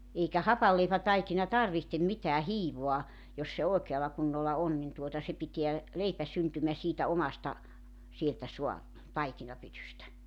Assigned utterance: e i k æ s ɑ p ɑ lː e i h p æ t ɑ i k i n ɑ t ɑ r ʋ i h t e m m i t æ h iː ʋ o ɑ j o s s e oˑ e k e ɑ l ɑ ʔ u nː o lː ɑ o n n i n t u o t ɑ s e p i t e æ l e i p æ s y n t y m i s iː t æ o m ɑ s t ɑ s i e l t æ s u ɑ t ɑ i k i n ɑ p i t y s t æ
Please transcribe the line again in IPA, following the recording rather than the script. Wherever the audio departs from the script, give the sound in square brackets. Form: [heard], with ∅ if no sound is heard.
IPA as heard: e i k æ [h] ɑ p ɑ lː e i [∅] p æ t ɑ i k i n ɑ t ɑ r ʋ i h t e m m i t [æː] h iː ʋ o ɑ j o s s e oˑ e k e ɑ l ɑ [k] u nː o lː ɑ o n n i n t u o t ɑ s e p i t e æ l e i p æ s y n t y m [æ] s iː t æ o m ɑ s t ɑ s i e l t æ s u ɑ t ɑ i k i n ɑ p [y] t y s t æ